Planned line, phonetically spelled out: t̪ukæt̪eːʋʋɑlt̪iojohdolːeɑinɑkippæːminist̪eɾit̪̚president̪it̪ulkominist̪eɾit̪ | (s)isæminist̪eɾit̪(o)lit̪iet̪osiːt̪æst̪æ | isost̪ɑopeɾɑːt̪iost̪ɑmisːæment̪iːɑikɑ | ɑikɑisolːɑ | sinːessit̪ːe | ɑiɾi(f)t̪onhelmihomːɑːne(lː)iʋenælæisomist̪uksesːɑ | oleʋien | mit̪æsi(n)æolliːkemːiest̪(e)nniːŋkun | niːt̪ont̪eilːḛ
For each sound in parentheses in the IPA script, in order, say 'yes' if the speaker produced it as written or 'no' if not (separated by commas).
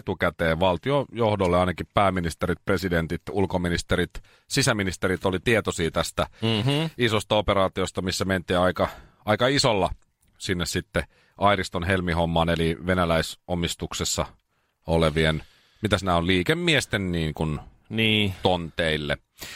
yes, yes, no, no, yes, yes